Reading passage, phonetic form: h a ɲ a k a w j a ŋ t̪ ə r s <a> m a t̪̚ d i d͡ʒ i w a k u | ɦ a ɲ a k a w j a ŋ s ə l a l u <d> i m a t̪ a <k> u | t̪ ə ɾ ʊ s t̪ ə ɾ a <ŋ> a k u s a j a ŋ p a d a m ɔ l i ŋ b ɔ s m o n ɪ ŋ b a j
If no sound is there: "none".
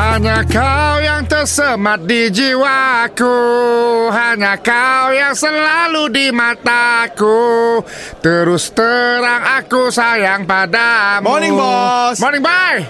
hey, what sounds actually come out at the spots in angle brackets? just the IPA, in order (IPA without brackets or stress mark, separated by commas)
ə, d, k, ŋ